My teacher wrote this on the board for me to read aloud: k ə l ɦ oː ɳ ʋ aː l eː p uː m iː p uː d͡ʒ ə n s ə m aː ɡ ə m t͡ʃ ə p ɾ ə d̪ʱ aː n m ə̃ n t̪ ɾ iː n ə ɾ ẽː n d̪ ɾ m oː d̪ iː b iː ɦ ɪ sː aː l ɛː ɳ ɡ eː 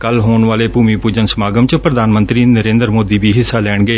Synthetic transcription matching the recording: k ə l ɦ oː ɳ ʋ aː l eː p uː m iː p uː d͡ʒ ə n s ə m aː ɡ ə m t͡ʃ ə p ɾ ə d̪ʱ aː n m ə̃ n t̪ ɾ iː n ə ɾ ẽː n d̪ ɾ m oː d̪ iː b iː ɦ ɪ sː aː l ɛː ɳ ɡ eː